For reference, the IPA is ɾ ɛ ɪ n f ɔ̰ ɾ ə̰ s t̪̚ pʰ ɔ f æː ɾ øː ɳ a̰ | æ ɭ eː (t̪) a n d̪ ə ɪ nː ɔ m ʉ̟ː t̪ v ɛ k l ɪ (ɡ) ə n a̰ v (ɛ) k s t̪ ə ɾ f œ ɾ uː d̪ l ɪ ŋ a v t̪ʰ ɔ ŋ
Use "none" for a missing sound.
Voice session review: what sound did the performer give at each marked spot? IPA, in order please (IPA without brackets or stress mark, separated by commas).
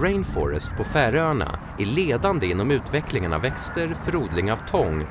d̪, ŋ, ɛ